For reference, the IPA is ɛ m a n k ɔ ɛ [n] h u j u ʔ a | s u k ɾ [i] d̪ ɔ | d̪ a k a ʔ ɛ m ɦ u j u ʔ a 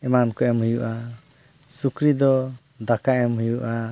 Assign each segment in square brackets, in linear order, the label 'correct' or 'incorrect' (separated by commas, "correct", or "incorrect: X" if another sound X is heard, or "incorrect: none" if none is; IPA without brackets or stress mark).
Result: incorrect: m, correct